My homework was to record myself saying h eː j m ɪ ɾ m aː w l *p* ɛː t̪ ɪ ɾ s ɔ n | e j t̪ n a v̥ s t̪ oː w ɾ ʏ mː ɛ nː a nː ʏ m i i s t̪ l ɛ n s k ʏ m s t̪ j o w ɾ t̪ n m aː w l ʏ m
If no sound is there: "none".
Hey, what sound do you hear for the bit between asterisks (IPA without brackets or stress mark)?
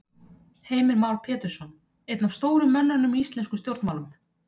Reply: pʰ